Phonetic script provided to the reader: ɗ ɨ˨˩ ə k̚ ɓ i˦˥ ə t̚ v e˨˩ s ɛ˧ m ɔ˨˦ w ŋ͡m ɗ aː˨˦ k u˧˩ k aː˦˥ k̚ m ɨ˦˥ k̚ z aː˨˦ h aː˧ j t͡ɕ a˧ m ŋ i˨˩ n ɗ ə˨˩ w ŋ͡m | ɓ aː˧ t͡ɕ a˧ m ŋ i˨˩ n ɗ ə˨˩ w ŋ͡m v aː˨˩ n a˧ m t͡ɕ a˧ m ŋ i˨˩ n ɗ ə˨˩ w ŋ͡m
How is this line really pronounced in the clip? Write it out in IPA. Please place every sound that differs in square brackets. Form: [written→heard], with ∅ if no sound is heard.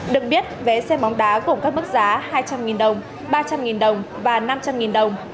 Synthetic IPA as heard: ɗ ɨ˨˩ ə k̚ ɓ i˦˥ ə t̚ v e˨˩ s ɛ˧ m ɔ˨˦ w ŋ͡m ɗ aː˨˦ k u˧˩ k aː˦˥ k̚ m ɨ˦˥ k̚ z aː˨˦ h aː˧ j t͡ɕ a˧ m ŋ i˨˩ n ɗ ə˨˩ w ŋ͡m | ɓ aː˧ t͡ɕ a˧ m ŋ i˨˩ n ɗ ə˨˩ w ŋ͡m v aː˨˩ n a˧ m t͡ɕ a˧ m ŋ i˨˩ n ɗ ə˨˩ w ŋ͡m